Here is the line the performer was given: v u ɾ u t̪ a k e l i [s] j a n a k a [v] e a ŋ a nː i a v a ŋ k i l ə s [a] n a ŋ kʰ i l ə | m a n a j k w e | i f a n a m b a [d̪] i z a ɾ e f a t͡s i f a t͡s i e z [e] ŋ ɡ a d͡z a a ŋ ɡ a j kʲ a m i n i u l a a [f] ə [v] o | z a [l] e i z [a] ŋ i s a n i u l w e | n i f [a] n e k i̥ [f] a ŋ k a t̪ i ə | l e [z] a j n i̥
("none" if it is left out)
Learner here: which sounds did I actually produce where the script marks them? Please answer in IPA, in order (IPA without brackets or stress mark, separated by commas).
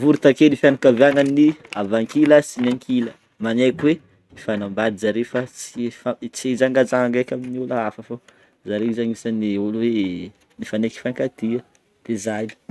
f, v, i, d̪, a, f, f, ɾ, a, a, f, z